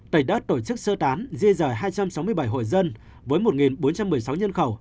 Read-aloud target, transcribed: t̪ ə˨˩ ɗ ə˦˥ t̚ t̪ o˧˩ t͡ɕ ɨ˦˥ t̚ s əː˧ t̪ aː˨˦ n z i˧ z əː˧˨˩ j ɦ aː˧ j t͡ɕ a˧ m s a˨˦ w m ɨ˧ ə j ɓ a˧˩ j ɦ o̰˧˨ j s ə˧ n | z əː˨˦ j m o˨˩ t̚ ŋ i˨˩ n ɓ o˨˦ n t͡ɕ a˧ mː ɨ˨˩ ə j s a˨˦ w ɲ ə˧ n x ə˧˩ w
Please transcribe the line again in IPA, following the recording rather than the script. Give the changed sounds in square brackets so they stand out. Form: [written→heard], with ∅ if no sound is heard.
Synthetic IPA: t̪ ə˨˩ ɗ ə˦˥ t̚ t̪ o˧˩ t͡ɕ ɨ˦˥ [t̚→k̚] s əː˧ t̪ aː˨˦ n z i˧ z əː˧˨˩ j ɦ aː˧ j t͡ɕ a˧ m s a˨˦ w m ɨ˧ ə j ɓ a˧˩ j ɦ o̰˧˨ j [s→z] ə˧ n | [z→v] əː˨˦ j m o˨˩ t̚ ŋ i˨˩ n ɓ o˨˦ n t͡ɕ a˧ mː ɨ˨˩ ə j s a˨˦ w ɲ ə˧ n x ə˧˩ w

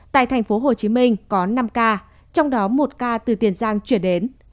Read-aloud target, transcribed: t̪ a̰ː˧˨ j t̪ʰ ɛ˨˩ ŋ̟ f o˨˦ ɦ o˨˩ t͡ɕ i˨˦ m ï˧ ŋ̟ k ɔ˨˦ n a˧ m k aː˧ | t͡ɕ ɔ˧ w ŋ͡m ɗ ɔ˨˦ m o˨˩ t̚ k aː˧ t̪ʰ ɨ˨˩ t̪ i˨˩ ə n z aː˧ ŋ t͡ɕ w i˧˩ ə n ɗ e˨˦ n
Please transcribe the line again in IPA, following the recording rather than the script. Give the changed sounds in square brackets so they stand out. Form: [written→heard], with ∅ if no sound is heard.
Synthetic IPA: t̪ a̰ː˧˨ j t̪ʰ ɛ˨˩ ŋ̟ f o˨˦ ɦ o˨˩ t͡ɕ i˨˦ m ï˧ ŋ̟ k ɔ˨˦ n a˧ m k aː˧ | t͡ɕ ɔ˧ w ŋ͡m ɗ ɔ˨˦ m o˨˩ t̚ k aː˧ [t̪ʰ→t̪] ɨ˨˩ t̪ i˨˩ ə n z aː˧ ŋ t͡ɕ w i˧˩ ə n ɗ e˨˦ n

